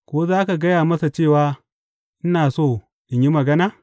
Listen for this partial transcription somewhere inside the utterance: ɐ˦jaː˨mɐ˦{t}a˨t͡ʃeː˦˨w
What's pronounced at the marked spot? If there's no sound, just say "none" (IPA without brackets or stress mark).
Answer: s